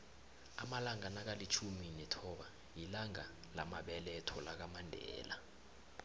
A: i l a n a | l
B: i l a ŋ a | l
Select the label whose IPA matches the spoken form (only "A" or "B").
B